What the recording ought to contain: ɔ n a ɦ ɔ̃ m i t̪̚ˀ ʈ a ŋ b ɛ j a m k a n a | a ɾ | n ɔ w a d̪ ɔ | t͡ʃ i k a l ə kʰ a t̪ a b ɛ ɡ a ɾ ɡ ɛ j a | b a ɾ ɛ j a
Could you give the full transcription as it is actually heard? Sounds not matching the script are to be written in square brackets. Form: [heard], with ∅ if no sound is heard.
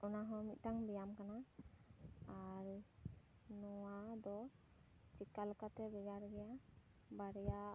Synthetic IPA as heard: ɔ n a ɦ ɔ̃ m i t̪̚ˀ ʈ a ŋ b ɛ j a m k a n a | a ɾ | n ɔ w a d̪ ɔ | t͡ʃ i k a l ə [k] a t̪ [ɛ] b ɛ ɡ a ɾ ɡ ɛ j a | b a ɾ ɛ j a